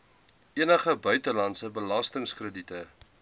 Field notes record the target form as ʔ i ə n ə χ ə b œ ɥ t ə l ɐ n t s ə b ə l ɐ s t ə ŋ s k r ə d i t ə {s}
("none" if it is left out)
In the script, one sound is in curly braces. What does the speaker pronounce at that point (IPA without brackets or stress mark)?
none